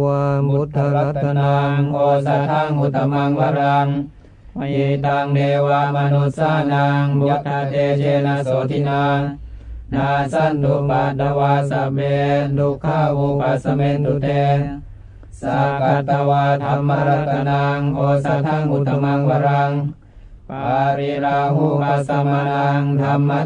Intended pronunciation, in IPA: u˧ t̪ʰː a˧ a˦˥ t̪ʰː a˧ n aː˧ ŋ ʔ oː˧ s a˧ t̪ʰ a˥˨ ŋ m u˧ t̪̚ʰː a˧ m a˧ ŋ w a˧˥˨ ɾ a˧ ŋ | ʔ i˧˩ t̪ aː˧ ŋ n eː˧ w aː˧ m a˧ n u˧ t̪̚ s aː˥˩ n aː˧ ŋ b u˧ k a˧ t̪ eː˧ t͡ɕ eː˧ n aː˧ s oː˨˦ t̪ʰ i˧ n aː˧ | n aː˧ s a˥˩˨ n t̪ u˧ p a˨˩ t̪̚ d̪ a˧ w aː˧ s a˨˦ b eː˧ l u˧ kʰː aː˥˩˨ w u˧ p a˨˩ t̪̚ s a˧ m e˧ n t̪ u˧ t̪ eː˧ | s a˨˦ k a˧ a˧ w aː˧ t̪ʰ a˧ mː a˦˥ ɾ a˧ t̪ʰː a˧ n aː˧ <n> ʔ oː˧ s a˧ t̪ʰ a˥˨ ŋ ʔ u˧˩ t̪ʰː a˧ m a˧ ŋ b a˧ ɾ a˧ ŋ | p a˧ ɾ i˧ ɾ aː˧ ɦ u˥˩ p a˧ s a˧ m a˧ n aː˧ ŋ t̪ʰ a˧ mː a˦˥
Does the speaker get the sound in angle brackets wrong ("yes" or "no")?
yes